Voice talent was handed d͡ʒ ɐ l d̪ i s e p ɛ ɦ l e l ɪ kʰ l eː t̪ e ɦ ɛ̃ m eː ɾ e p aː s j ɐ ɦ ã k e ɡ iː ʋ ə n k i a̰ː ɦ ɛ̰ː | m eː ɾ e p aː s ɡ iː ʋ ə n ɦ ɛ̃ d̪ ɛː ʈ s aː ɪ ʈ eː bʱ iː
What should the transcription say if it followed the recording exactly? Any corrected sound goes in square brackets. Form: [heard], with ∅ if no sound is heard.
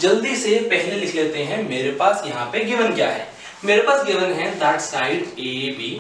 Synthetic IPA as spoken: d͡ʒ ɐ l d̪ i s e p ɛ ɦ l e l ɪ kʰ l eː t̪ e ɦ ɛ̃ m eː ɾ e p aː s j ɐ ɦ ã [p] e ɡ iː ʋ ə n k [j] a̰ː ɦ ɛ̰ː | m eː ɾ e p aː s ɡ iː ʋ ə n ɦ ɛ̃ d̪ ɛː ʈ s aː ɪ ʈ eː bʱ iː